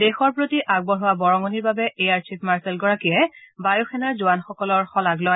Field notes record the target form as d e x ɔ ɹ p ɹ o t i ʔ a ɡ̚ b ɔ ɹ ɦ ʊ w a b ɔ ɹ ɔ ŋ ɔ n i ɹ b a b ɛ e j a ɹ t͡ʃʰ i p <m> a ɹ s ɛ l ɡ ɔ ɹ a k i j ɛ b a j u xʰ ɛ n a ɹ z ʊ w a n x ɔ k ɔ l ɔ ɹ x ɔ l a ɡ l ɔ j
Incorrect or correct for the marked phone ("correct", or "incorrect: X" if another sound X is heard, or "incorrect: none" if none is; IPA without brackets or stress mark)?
correct